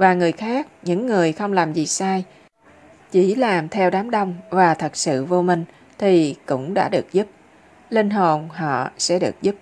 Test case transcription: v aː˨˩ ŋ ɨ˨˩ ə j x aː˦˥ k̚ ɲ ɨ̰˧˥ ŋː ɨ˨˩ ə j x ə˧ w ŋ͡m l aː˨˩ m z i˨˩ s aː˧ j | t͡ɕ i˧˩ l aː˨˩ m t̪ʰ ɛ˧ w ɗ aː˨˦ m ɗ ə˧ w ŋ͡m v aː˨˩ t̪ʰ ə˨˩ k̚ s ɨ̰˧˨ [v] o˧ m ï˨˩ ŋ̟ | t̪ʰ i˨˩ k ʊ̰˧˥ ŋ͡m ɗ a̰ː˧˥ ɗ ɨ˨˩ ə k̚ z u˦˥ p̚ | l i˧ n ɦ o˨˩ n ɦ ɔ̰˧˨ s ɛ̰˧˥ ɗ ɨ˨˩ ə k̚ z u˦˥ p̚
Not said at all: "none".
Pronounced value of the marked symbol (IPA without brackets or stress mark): v